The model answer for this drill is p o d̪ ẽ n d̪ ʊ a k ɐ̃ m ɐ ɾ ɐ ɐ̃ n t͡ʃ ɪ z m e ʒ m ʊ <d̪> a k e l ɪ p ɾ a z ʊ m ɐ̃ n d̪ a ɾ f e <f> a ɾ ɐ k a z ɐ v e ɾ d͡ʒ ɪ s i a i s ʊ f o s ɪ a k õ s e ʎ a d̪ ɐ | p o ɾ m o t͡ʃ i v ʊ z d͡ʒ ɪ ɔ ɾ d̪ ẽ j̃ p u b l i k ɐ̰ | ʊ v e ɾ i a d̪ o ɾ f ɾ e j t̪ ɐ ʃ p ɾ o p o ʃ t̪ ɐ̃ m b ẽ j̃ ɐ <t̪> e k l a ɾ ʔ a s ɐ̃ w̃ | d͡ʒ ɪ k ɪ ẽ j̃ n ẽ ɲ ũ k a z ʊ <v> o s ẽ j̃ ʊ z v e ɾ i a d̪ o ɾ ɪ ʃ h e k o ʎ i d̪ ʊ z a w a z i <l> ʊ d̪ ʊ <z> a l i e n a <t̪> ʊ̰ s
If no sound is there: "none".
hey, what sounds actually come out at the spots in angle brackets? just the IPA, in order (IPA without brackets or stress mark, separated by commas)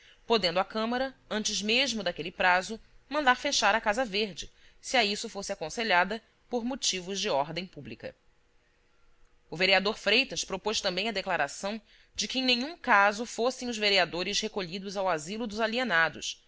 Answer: d̪, ʃ, d̪, f, l, z, d̪